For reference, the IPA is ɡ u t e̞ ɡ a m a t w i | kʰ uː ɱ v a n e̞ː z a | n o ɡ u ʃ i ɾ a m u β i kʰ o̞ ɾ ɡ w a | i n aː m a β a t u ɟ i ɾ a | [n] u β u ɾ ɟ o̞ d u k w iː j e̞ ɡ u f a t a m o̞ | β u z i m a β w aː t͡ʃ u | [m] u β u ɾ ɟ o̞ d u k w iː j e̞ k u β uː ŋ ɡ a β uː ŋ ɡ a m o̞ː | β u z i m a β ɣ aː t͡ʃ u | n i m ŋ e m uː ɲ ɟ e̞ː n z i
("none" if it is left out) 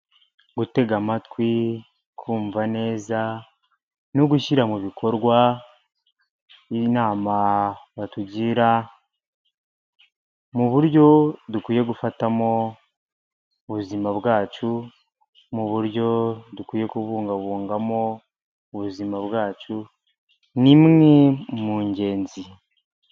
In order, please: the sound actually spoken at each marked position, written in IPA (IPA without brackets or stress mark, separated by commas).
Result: m, m